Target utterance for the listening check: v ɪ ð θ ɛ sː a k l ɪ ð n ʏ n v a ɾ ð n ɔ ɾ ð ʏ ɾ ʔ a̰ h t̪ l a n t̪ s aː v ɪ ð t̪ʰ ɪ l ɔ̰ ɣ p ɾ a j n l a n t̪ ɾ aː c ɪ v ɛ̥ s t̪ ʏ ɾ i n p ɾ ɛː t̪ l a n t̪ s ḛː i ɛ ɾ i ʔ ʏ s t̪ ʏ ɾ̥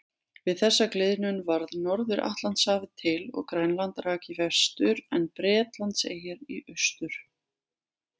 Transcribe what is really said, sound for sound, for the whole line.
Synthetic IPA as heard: v ɪ ð θ ɛ sː a k l ɪ ð n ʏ n v a ɾ ð n ɔ ɾ ð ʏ ɾ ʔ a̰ h t̪ l a n t̪ s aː v ɪ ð t̪ʰ ɪ l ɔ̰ ɣ k ɾ a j n l a n t̪ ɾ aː c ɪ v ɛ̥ s t̪ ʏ ɾ ɛ n p ɾ ɛː t̪ l a n t̪ s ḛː j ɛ ɾ i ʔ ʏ s t̪ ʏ ɾ̥